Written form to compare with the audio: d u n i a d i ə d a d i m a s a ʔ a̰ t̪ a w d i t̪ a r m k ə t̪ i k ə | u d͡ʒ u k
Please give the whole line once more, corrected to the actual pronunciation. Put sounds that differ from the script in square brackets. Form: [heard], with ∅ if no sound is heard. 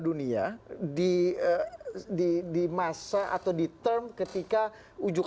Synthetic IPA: d u n i a d i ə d [i] d i m a s a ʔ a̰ t̪ a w d i t̪ [ə] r m k ə t̪ i k [a] | u d͡ʒ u k